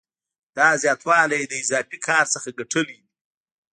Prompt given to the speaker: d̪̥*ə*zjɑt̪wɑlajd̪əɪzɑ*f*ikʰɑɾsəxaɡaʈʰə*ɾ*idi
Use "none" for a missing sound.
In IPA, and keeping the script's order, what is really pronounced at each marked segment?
ɑ, f, l

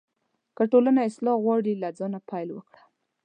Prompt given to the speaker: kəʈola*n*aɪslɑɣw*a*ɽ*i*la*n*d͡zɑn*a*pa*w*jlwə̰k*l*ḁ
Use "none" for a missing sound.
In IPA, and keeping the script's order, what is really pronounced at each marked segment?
n, ɑ, i, none, a, none, ɽ

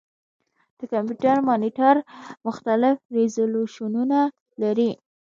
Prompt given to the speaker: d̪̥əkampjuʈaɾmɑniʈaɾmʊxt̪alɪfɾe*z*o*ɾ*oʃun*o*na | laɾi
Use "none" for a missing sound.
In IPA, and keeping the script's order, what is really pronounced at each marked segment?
z, l, u

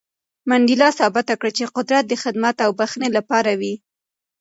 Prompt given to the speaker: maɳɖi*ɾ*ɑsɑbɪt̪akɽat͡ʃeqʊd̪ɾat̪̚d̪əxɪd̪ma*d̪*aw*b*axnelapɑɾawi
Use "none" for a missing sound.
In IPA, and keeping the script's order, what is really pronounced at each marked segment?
l, t̪, b

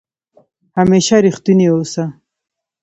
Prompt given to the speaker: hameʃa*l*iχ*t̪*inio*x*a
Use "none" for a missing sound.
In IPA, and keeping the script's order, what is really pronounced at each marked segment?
ɾ, t̪, s

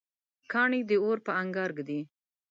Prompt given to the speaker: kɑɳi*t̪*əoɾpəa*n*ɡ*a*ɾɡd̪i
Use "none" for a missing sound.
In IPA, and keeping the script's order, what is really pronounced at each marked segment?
d̪, ŋ, ɑ

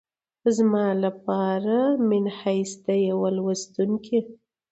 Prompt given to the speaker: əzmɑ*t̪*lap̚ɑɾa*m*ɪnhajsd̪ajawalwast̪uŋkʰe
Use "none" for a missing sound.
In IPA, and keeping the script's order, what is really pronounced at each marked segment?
none, m

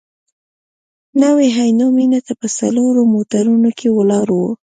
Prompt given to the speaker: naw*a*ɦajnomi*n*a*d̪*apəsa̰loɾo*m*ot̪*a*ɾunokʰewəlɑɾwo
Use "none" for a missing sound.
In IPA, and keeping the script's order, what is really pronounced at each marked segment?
e, n, t̪, m, a

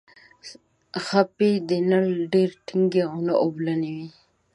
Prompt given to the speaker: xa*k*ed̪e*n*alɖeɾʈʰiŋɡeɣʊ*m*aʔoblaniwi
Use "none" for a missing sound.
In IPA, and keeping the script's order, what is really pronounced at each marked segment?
p, n, n

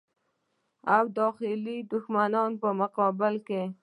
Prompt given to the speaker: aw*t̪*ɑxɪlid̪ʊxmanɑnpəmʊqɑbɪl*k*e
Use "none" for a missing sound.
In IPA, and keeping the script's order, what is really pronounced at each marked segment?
d̪, k

